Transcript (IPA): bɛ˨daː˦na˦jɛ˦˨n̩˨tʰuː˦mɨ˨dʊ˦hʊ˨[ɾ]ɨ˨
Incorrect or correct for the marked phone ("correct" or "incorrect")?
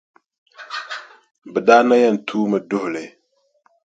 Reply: incorrect